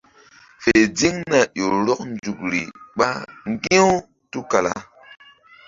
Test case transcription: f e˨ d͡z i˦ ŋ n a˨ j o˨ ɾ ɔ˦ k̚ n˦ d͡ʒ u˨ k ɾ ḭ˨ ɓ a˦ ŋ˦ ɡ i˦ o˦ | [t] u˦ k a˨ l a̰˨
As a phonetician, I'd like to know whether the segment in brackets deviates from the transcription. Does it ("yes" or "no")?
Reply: no